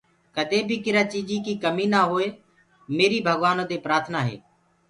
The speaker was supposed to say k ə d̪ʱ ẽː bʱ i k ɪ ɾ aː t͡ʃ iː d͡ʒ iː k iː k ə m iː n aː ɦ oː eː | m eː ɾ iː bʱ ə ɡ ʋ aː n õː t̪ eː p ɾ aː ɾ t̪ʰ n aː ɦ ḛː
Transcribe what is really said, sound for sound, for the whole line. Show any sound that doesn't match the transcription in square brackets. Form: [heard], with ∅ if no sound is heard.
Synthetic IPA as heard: k ə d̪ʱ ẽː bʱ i k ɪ ɾ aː t͡ʃ iː d͡ʒ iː k iː k ə m iː n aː ɦ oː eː | m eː ɾ iː bʱ ə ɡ ʋ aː n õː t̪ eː p ɾ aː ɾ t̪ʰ n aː ɦ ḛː